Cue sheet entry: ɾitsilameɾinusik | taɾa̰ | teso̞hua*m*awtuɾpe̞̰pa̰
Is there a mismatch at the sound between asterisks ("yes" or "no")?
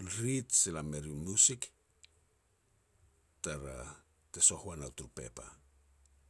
yes